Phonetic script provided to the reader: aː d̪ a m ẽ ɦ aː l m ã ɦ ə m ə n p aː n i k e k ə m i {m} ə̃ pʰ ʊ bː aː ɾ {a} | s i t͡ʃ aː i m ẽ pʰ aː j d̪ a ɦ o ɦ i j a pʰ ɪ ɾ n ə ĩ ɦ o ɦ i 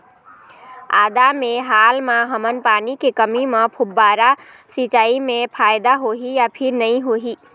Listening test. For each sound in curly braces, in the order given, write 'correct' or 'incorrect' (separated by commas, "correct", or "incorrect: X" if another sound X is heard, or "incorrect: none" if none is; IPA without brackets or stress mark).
correct, correct